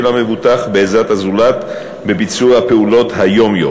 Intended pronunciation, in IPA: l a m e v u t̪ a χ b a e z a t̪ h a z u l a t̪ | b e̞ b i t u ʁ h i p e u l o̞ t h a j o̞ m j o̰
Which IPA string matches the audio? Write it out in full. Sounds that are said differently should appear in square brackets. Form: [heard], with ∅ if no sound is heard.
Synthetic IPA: l a m e v u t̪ a χ b [e] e z a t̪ h a z u l a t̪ | b e̞ b i [t͡s] u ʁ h [a] p e u l o̞ t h a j o̞ m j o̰